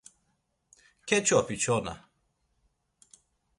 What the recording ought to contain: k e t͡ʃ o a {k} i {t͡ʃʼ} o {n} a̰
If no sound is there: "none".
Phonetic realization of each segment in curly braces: p, t͡ʃ, n

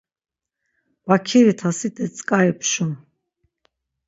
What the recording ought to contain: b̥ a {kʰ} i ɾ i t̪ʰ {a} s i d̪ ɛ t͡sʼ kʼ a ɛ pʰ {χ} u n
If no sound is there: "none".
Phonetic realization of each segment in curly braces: kʰ, a, ʃ

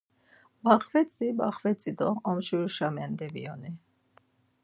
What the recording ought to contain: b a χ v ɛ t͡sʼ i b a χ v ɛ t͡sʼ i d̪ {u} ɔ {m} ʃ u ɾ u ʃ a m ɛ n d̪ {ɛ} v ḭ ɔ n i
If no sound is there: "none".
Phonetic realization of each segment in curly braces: ɔ, m, ɛ

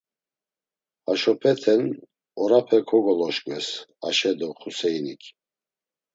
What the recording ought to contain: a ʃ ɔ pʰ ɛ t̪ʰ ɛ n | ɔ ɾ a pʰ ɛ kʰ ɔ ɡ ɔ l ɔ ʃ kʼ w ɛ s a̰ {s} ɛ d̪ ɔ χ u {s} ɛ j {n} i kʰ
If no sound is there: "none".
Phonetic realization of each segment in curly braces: ʃ, s, n

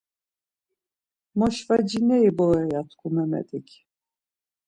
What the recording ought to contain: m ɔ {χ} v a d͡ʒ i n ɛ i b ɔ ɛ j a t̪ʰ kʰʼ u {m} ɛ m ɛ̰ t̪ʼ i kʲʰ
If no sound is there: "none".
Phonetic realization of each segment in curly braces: ʃ, m

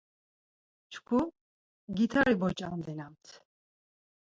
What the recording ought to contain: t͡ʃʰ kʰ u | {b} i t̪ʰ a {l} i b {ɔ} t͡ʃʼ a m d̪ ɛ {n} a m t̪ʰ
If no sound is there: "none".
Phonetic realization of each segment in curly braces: ɡ, ɾ, ɔ, n

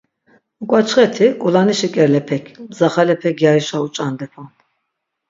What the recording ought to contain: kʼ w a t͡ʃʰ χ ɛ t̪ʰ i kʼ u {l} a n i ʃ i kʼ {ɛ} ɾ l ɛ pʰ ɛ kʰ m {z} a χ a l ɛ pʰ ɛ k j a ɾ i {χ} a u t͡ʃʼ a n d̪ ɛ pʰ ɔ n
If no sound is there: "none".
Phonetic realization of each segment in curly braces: l, ɛ, z, ʃ

